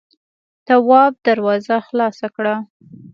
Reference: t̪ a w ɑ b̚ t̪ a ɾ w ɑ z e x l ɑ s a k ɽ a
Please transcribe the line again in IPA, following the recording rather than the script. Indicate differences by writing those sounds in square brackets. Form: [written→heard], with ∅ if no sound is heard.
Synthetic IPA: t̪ a w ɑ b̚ [t̪→d̪] a ɾ w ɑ z [e→a] x l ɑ s a k ɽ a